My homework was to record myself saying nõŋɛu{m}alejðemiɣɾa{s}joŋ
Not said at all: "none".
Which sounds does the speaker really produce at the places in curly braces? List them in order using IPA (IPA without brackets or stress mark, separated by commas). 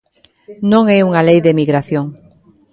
ŋ, θ